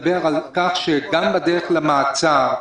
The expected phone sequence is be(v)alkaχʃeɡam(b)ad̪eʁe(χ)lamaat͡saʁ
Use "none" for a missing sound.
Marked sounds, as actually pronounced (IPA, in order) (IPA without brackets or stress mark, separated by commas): ʁ, b, χ